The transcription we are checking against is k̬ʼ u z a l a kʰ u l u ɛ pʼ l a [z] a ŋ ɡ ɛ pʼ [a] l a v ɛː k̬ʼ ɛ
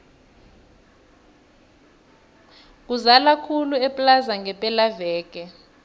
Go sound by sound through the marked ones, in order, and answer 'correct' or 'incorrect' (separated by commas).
correct, incorrect